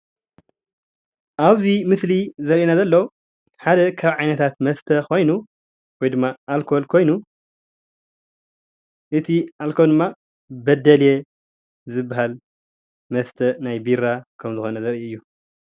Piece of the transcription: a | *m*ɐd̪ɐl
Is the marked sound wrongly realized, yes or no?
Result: yes